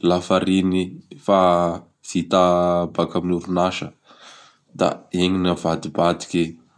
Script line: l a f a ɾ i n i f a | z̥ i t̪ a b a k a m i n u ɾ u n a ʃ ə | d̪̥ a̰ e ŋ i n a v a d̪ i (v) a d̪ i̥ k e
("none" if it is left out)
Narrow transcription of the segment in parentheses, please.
b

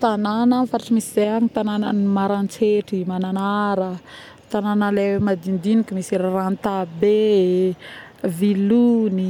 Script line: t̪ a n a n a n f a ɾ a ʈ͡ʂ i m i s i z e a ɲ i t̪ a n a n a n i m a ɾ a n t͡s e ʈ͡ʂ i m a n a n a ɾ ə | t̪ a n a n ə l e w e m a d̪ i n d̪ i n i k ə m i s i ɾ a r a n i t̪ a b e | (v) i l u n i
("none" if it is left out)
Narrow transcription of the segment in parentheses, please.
v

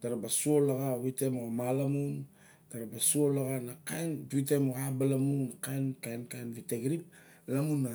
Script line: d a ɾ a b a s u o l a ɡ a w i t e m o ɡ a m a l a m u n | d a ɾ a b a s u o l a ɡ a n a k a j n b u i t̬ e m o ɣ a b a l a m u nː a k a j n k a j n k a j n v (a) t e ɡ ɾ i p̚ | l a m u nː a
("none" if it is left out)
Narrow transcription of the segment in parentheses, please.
i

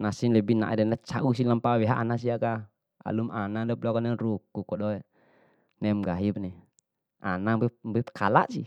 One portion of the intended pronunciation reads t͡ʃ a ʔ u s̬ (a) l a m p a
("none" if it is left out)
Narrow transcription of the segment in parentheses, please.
i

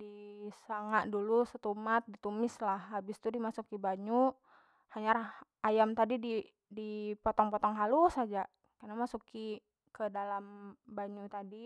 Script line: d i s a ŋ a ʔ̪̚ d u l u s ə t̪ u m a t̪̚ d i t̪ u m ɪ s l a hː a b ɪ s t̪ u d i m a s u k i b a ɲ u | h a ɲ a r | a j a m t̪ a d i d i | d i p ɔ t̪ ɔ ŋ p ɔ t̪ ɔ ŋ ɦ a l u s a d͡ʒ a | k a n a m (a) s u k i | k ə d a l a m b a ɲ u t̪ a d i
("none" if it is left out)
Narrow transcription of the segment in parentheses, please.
a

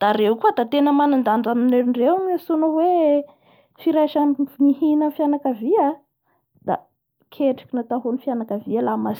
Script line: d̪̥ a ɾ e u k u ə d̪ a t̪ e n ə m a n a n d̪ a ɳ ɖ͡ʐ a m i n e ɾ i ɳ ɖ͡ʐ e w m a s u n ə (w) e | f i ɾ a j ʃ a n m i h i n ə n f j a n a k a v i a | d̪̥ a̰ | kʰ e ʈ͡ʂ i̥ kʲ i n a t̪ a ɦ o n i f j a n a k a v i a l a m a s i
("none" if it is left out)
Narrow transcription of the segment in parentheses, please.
w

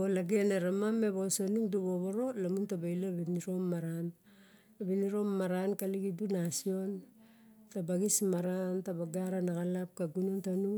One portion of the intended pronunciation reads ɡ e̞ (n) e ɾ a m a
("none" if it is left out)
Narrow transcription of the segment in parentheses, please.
n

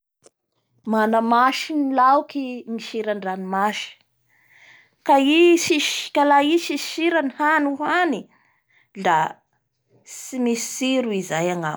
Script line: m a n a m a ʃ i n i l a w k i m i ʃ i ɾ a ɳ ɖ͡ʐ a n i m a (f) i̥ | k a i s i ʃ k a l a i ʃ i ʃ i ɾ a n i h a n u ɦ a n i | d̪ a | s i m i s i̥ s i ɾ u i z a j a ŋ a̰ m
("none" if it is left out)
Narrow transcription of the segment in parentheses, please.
ʃ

